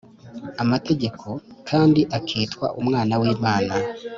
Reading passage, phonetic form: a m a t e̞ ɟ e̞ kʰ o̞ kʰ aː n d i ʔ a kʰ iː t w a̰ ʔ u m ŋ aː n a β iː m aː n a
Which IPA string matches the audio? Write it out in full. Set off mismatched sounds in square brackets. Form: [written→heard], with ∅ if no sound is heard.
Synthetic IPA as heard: a m a t e̞ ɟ e̞ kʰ o̞ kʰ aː n d i ʔ a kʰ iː t w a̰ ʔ u m ŋ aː n a [β→w] iː m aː n a